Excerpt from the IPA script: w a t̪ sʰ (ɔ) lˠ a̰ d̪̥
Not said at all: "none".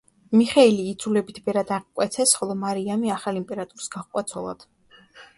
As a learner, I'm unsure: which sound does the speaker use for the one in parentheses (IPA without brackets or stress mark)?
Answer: ɔ